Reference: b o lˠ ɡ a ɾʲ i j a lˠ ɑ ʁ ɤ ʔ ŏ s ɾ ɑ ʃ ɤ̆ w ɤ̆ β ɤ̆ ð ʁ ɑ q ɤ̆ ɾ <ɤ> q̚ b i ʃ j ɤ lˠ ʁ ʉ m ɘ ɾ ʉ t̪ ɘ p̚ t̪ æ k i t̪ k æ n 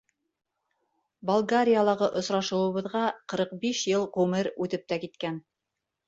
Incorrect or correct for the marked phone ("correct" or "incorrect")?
correct